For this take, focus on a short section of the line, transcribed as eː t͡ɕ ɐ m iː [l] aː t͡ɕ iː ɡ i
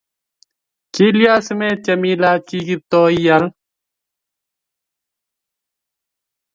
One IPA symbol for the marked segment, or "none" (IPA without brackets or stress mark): l